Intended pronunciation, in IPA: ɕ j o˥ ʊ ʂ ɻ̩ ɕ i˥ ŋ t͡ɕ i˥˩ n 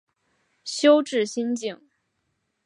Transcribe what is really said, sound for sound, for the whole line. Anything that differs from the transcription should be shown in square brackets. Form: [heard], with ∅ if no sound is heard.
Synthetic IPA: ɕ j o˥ ʊ [ʈ͡ʂ] ɻ̩ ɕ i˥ [n] t͡ɕ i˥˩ [ŋ]